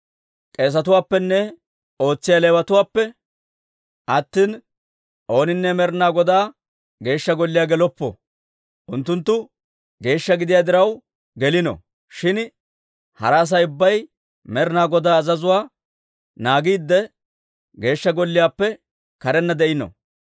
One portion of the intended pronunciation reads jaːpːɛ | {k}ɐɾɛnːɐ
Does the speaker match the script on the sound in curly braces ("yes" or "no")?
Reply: yes